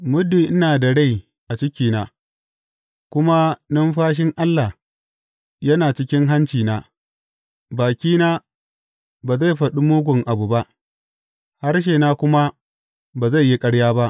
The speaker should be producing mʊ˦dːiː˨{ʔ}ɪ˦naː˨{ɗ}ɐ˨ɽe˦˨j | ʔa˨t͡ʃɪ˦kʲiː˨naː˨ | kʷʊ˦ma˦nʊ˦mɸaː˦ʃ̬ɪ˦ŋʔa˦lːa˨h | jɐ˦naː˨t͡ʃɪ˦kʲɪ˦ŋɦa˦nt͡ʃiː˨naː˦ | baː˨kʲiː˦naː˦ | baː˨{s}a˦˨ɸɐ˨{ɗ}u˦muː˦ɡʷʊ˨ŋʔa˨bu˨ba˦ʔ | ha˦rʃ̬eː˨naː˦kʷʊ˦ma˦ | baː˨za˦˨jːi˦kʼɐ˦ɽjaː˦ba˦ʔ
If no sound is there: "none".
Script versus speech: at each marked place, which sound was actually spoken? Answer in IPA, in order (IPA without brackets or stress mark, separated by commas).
ʔ, d, z, ɗ